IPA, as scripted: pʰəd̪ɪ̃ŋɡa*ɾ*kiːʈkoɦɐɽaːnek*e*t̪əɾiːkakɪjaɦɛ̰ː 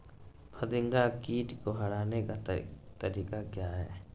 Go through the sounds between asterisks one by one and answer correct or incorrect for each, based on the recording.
incorrect, incorrect

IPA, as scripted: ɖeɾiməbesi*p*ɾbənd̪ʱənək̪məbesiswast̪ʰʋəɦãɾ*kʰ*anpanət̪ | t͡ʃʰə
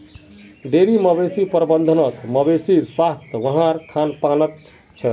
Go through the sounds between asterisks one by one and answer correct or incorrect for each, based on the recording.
correct, correct

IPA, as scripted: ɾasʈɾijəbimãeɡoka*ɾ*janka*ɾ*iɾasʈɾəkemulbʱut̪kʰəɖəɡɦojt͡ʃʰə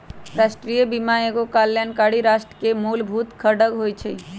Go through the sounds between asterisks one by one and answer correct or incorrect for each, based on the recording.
incorrect, incorrect

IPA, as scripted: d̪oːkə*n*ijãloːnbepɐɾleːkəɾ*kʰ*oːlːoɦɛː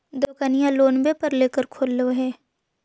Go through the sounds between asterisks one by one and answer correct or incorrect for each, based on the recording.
correct, correct

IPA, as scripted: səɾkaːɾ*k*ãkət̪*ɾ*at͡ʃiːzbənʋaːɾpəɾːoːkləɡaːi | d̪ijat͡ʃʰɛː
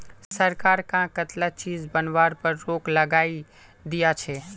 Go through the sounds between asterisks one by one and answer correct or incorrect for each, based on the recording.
correct, incorrect

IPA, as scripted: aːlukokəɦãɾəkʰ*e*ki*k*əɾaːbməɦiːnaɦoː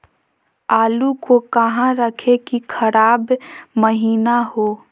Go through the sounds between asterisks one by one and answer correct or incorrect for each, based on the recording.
correct, incorrect

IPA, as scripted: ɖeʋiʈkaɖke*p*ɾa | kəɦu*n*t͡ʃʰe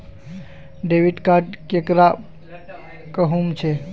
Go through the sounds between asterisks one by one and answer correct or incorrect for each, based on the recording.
incorrect, incorrect

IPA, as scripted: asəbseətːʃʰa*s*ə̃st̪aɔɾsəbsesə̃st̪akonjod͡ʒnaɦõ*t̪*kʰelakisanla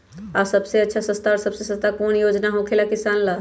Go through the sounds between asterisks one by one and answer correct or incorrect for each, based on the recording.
correct, incorrect

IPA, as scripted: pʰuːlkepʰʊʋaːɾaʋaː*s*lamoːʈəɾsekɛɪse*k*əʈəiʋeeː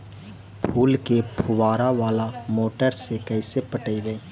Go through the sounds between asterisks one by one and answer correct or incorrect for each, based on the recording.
incorrect, incorrect

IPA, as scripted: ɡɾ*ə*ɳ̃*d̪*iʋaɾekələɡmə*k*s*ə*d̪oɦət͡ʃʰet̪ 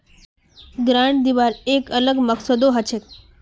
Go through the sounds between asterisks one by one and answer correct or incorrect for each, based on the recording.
incorrect, correct, correct, correct

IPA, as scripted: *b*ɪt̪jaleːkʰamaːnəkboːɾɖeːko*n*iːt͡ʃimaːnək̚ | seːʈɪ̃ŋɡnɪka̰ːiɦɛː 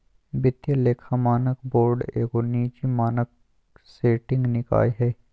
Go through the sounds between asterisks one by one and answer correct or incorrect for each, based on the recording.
correct, correct

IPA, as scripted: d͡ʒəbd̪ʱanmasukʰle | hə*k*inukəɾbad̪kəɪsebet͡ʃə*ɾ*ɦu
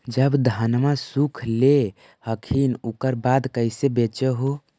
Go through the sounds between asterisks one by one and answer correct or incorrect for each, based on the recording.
incorrect, incorrect

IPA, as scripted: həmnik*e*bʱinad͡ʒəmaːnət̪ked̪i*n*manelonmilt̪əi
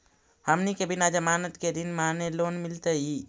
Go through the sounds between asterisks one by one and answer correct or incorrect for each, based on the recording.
correct, correct

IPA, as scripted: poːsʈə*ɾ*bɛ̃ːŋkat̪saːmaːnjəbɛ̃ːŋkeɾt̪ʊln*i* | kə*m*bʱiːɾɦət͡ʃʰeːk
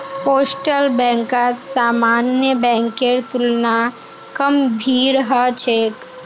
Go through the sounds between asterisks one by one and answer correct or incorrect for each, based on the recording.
incorrect, incorrect, correct

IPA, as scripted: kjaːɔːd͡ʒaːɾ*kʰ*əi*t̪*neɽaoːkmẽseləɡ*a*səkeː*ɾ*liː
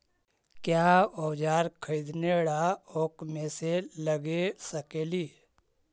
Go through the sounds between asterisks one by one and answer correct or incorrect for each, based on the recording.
correct, incorrect, incorrect, incorrect

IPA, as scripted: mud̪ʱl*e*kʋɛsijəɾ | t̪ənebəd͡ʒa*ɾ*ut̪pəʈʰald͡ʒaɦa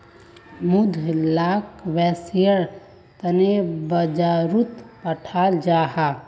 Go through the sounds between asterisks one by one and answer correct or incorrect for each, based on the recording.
incorrect, correct

